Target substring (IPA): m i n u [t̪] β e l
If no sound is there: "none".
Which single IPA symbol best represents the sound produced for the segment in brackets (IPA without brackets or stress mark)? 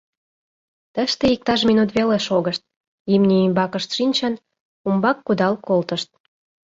t̪